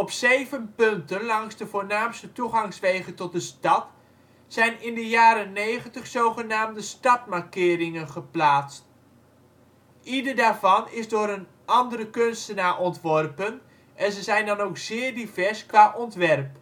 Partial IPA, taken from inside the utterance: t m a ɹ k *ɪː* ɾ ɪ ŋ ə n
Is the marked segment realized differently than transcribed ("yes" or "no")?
no